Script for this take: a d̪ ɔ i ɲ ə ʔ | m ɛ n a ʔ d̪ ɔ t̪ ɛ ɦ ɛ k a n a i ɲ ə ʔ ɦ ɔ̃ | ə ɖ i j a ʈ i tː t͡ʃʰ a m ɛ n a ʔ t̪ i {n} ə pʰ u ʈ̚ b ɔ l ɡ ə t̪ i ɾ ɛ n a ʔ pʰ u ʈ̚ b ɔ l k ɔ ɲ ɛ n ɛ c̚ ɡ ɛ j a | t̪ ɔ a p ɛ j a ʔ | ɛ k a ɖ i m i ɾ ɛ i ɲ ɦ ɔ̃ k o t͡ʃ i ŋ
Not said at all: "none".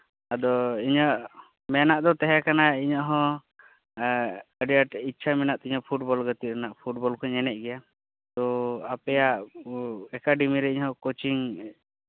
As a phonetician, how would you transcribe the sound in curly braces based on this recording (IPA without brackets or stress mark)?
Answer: ɲ